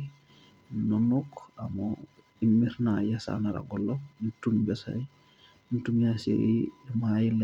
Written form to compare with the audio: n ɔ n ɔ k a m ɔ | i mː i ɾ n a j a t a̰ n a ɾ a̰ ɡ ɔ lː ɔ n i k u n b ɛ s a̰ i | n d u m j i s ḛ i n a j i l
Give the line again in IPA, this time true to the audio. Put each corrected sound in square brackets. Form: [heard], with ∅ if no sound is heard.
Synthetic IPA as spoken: n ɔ n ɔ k a m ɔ | i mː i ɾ n a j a [s] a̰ n a ɾ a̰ ɡ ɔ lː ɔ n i [t] u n b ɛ s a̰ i | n [t] u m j [a] s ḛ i [m] a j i l